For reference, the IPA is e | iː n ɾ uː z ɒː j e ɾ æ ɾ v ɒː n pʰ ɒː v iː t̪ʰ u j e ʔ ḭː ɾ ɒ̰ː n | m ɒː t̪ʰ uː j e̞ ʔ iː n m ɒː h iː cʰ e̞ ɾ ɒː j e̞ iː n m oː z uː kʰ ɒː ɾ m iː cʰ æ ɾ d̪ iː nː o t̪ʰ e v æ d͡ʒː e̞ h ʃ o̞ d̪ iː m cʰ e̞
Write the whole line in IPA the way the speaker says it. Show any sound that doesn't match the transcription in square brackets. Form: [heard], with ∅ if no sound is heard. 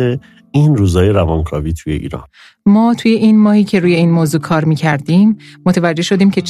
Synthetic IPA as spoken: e | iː n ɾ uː z ɒː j e ɾ æ [∅] v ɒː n [kʰ] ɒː v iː t̪ʰ u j e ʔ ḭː ɾ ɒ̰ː n | m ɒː t̪ʰ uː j e̞ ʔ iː n m ɒː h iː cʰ e̞ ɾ [uː] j e̞ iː n m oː z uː kʰ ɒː ɾ m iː cʰ æ ɾ d̪ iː [mː] o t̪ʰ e v æ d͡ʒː e̞ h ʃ o̞ d̪ iː m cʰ e̞